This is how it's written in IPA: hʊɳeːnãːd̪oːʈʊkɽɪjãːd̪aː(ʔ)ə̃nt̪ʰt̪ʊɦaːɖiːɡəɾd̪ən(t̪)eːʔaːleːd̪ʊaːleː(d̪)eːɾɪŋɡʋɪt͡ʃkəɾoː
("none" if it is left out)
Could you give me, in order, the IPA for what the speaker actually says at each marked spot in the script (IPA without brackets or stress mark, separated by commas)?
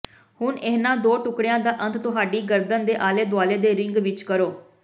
ʔ, d̪, d̪